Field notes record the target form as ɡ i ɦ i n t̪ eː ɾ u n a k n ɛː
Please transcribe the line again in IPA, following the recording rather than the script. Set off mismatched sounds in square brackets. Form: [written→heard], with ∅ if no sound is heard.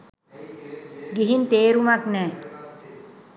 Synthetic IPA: ɡ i ɦ i n t̪ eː ɾ u [n→m] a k n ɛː